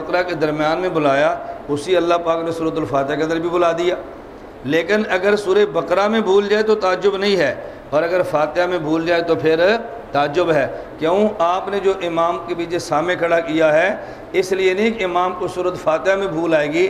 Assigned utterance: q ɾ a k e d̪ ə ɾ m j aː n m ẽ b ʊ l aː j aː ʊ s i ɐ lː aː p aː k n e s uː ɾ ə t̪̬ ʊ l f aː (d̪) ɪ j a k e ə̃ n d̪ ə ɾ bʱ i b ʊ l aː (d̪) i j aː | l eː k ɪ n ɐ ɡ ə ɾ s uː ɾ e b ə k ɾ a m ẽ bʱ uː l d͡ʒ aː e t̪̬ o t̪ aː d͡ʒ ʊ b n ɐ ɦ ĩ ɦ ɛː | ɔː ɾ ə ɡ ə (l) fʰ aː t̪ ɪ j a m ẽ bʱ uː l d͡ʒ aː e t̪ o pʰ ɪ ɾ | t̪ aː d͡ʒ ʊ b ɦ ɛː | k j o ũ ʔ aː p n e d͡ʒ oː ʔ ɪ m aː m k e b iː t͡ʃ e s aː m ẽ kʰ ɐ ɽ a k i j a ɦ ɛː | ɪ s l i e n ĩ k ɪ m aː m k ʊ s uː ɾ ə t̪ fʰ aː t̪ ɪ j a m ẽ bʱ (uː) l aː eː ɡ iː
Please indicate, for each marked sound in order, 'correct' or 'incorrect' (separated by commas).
incorrect, correct, incorrect, correct